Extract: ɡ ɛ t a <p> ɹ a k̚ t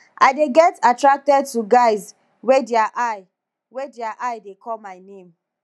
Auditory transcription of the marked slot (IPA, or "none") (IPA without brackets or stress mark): t